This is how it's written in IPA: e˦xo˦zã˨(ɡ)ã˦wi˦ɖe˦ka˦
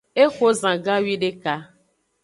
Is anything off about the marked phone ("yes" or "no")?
no